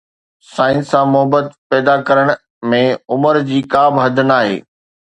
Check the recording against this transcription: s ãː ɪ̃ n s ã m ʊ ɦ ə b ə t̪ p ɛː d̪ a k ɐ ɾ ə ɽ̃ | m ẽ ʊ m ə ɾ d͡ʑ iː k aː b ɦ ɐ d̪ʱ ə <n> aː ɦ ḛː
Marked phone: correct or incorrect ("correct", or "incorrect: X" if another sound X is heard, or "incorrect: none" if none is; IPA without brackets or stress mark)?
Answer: correct